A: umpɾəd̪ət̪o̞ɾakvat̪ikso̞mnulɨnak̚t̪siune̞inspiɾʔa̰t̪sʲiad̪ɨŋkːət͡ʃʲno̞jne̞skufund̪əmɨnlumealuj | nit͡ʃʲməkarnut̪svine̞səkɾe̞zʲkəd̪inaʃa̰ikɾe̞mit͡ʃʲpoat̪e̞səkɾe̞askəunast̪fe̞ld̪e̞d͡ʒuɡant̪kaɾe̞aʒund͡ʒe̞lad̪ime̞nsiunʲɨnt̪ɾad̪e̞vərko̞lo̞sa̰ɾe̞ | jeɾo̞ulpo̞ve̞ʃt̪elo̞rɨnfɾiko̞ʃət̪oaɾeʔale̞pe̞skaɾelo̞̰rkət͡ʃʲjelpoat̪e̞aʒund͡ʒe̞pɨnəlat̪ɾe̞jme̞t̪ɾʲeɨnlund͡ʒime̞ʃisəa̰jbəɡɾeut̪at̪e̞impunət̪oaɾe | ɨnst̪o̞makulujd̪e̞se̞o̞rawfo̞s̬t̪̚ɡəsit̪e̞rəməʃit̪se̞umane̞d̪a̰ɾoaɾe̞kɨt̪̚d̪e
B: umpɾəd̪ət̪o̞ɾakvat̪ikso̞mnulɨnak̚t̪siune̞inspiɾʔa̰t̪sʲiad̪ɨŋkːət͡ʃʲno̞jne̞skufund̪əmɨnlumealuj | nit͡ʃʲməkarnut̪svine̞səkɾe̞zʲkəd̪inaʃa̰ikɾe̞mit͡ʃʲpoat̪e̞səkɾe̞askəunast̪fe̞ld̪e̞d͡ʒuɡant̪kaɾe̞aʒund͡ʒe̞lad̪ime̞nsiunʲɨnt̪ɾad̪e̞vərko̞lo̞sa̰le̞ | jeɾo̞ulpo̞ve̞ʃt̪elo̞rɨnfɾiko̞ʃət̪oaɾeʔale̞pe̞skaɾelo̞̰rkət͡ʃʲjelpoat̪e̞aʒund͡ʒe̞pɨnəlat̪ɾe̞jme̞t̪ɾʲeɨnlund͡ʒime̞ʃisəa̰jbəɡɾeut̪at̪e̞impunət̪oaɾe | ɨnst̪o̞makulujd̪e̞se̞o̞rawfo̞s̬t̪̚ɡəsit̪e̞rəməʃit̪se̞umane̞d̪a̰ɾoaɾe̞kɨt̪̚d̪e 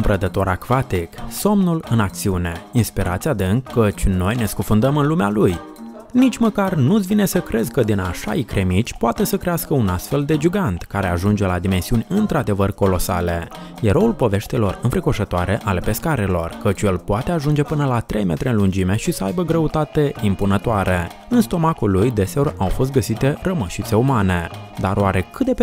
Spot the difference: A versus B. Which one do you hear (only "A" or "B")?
B